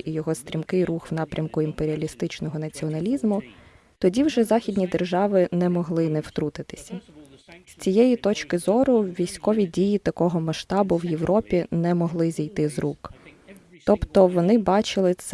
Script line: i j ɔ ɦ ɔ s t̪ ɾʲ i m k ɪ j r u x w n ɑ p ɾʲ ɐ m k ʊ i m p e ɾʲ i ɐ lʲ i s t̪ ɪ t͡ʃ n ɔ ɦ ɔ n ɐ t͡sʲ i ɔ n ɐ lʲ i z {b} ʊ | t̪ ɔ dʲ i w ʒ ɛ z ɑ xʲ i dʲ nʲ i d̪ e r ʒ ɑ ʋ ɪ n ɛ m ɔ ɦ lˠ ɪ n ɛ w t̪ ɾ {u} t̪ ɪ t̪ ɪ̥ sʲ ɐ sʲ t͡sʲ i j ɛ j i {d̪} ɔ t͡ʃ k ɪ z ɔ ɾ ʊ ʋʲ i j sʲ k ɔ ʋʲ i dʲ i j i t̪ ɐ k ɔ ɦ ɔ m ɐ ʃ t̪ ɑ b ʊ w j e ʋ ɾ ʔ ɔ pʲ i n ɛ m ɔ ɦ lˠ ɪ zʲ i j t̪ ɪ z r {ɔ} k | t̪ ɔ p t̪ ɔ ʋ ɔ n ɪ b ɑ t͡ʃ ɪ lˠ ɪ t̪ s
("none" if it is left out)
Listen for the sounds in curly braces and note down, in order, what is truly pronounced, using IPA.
m, u, t̪, u

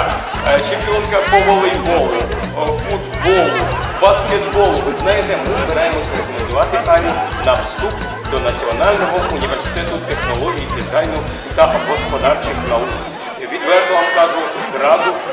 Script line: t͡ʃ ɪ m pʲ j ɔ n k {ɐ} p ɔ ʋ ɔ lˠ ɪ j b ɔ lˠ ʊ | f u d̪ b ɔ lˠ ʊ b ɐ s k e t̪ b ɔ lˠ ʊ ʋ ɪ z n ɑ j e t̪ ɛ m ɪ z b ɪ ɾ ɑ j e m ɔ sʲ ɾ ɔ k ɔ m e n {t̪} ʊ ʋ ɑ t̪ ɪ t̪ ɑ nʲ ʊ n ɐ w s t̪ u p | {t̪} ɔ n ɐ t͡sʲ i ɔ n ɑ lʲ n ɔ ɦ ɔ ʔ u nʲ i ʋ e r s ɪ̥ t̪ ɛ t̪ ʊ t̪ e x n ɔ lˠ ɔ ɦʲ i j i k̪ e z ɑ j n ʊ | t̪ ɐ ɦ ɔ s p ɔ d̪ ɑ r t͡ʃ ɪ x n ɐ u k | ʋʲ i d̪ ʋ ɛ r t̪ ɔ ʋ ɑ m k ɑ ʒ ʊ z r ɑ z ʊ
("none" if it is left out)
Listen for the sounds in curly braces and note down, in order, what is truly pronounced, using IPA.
ɐ, d̪, d̪

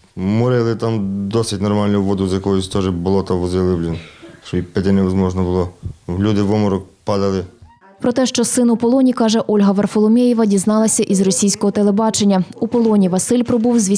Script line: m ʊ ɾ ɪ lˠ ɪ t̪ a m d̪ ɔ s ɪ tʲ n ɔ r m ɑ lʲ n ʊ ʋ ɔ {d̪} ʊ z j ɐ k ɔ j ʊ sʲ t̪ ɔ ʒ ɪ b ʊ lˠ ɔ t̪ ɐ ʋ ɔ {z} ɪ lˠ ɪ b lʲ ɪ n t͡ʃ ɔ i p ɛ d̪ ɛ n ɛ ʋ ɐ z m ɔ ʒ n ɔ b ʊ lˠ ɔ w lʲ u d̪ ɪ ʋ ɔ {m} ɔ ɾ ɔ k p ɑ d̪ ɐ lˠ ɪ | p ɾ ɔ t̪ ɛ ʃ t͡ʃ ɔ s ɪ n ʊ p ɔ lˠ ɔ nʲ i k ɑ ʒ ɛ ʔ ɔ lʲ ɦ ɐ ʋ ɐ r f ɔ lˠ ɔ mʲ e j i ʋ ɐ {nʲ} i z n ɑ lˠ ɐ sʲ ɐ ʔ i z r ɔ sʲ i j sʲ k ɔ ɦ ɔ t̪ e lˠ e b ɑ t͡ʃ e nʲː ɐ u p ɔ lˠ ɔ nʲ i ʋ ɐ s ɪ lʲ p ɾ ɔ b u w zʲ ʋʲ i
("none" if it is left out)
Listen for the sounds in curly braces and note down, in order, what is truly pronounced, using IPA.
d̪, z, m, dʲ

